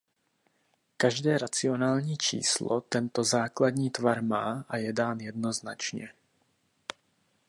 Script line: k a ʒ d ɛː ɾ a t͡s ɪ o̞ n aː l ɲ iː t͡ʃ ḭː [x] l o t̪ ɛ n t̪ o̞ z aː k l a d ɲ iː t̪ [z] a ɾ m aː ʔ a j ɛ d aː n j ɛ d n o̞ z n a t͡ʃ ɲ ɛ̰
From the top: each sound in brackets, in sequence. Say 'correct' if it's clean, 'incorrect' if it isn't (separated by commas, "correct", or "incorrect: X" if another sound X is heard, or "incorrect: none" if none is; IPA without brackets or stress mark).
incorrect: s, incorrect: v